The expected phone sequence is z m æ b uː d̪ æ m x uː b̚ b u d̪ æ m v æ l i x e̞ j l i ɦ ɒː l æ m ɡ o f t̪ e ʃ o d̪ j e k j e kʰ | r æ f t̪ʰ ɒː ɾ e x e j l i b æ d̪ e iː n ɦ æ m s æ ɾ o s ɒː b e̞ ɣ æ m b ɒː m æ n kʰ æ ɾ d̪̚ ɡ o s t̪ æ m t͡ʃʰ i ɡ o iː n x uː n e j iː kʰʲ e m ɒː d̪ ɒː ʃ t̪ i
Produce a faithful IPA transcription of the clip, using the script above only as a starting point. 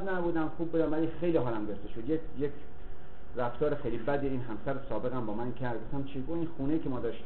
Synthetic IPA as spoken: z n æ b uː d̪ æ m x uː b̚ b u d̪ æ m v æ l i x e̞ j l i ɦ ɒː l æ m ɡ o f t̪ e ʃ o d̪ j e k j e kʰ | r æ f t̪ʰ ɒː ɾ e x e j l i b æ d̪ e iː n ɦ æ m s æ ɾ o s ɒː b e̞ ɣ æ m b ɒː m æ n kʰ æ ɾ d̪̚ ɡ o f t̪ æ m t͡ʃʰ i ɡ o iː n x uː n e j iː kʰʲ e m ɒː d̪ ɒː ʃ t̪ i